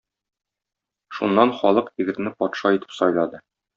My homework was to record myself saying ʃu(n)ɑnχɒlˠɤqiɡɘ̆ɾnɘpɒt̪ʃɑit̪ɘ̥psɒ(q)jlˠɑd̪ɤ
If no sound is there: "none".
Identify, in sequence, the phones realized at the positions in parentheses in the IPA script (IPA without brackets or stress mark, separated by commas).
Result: nː, none